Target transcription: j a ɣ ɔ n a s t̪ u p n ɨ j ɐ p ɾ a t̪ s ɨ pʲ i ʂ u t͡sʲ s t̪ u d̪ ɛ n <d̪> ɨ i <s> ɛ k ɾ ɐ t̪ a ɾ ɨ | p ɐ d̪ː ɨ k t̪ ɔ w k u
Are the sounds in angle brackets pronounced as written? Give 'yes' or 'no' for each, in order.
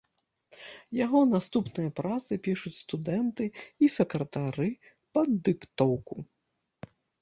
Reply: no, yes

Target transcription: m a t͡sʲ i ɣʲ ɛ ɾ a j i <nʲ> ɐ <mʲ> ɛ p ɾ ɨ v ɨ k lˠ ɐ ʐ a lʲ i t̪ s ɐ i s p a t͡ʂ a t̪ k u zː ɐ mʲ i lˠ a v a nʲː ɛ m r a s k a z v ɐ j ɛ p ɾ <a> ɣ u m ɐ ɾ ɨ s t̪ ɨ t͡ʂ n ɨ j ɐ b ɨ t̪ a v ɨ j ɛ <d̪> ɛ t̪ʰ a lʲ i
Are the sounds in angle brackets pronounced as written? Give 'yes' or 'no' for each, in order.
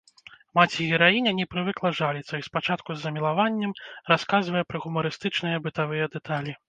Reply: yes, no, no, yes

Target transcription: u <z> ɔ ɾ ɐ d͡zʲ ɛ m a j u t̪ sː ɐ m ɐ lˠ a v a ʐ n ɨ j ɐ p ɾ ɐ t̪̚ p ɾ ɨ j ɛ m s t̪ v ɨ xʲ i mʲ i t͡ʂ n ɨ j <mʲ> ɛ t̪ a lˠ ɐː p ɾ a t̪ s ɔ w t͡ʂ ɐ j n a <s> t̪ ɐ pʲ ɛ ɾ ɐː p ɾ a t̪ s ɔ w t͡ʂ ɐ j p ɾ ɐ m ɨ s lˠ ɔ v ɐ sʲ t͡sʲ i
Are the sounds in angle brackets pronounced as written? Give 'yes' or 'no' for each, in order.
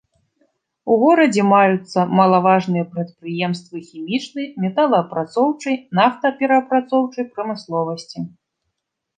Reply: no, yes, no

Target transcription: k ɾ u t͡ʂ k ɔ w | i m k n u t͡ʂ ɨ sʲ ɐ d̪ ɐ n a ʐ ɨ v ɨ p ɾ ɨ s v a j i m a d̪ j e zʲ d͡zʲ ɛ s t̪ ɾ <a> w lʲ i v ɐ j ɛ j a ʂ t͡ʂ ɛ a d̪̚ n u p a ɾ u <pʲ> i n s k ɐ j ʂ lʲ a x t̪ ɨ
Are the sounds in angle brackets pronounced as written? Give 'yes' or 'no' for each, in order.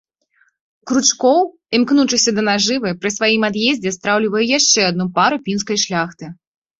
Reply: yes, yes

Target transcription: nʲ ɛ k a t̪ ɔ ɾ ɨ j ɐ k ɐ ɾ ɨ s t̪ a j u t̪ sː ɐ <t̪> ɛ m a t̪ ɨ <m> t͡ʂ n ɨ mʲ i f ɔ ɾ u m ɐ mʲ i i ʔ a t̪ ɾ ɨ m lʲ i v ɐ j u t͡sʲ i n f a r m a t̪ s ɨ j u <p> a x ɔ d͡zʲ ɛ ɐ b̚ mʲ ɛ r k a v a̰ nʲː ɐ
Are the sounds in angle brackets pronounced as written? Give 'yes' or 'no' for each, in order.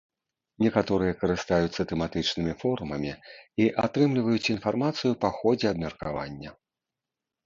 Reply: yes, no, yes

